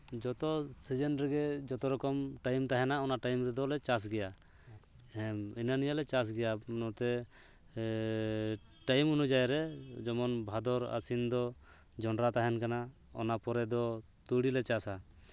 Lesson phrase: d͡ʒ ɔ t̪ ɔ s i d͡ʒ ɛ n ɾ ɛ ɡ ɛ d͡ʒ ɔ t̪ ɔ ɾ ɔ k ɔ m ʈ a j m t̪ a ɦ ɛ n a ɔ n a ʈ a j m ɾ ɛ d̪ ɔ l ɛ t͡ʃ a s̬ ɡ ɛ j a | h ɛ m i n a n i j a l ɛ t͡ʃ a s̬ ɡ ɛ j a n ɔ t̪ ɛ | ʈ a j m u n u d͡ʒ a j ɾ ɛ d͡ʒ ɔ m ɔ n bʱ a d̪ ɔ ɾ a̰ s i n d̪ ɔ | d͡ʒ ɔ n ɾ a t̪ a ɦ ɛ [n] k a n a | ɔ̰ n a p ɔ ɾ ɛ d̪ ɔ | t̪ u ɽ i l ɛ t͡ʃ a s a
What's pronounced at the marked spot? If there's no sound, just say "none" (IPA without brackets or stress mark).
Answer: n